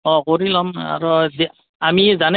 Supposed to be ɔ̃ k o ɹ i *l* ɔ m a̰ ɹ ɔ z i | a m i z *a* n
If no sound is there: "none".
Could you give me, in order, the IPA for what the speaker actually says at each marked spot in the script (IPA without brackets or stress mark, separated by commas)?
l, a